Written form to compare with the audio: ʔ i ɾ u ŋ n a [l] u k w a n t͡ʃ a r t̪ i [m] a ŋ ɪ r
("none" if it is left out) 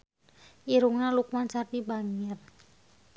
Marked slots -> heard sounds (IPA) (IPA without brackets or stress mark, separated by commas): l, b